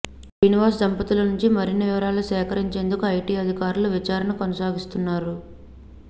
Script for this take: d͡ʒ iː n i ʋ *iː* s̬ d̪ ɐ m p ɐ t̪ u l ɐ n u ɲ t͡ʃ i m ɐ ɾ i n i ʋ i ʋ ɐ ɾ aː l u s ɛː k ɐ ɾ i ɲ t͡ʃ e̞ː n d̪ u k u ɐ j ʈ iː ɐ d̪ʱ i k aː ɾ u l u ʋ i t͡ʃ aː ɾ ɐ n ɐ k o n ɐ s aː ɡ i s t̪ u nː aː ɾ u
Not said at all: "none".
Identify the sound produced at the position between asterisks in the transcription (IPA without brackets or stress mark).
aː